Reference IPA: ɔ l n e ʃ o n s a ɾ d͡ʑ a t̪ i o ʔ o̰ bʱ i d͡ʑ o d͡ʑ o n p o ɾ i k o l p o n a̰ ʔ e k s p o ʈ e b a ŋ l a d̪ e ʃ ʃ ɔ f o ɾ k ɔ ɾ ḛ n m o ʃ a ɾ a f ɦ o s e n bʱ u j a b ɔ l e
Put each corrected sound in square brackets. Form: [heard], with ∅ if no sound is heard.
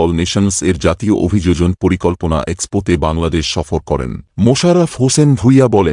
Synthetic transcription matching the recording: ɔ l n e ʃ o n s [e] ɾ d͡ʑ a t̪ i o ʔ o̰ bʱ i d͡ʑ o d͡ʑ o n p o ɾ i k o l p o n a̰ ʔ e k s p o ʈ e b a ŋ l a d̪ e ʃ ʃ ɔ f o ɾ k ɔ ɾ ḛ n m o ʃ a ɾ a f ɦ o s e n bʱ u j a b ɔ l e